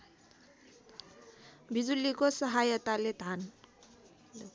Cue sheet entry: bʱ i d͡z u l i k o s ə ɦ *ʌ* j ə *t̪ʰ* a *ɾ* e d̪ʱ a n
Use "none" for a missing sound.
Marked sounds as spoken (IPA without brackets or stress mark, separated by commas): a, t̪, l